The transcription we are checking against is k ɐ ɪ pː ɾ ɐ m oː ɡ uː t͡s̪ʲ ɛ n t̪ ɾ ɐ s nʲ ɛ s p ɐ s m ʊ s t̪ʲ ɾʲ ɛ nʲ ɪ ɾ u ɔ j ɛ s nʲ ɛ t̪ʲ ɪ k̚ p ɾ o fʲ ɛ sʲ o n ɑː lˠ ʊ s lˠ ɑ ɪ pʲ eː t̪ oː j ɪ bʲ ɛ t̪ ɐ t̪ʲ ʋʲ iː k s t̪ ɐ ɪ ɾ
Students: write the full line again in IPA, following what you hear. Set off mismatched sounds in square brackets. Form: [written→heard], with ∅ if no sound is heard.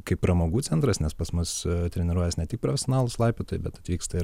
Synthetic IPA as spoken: k ɐ ɪ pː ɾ ɐ m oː ɡ uː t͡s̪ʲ ɛ n t̪ ɾ ɐ s nʲ ɛ s p ɐ s m ʊ s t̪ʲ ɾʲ ɛ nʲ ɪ ɾ u ɔ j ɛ s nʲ ɛ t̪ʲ ɪ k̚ p ɾ o fʲ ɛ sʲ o n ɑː lˠ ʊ s lˠ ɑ ɪ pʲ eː t̪ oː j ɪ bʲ ɛ t̪ ɐ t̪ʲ ʋʲ iː k s t̪ ɐ ɪ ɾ

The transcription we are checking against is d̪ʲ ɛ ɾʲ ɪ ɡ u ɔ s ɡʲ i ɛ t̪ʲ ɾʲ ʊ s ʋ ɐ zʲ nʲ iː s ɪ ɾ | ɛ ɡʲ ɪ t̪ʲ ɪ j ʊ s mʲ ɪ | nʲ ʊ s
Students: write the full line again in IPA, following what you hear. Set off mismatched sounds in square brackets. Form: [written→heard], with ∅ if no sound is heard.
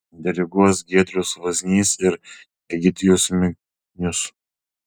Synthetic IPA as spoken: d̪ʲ ɛ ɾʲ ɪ ɡ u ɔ s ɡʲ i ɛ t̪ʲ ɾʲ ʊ s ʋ ɐ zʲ nʲ iː s ɪ ɾ | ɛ ɡʲ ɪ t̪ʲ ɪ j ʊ s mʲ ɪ | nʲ ʊ s

